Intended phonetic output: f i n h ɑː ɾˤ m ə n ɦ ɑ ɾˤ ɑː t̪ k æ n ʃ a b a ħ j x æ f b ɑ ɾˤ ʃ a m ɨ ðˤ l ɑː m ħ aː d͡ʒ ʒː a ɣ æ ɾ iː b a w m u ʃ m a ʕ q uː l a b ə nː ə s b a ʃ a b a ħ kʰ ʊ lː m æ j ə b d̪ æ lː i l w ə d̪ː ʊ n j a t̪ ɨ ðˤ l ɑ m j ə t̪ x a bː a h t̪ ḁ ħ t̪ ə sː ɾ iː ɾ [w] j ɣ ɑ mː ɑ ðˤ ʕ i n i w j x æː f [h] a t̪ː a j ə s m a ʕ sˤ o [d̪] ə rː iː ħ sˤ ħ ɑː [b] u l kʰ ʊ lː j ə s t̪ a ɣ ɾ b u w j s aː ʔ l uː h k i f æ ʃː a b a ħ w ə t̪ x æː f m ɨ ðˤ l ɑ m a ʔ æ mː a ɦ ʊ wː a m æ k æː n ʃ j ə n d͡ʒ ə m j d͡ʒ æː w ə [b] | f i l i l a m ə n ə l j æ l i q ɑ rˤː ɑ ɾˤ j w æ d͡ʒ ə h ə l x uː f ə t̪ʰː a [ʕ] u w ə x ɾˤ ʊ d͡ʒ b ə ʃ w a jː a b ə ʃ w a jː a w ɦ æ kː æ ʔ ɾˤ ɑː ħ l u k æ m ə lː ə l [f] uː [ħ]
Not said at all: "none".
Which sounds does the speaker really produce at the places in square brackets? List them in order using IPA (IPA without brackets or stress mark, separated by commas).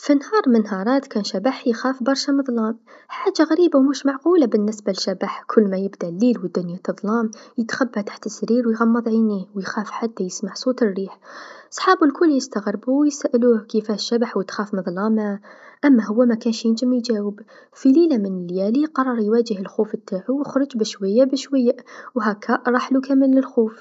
w, ħ, t̪, b, b, ʕ, x, f